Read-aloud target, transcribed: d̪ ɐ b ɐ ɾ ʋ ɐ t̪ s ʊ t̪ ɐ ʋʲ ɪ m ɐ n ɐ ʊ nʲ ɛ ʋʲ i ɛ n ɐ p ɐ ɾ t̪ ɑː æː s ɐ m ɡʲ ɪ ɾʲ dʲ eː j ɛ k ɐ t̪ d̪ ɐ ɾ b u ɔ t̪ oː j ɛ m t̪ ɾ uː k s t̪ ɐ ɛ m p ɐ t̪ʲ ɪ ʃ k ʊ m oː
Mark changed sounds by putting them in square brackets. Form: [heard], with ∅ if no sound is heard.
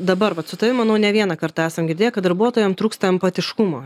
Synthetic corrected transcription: d̪ ɐ b ɐ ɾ ʋ ɐ t̪ s ʊ t̪ ɐ ʋʲ ɪ m ɐ n ɐ ʊ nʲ ɛ ʋʲ i ɛ n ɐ [k] ɐ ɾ t̪ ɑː æː s ɐ m ɡʲ ɪ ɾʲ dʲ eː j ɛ k ɐ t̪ d̪ ɐ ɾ b u ɔ t̪ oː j ɛ m t̪ ɾ uː k s t̪ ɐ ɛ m p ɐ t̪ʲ ɪ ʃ k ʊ m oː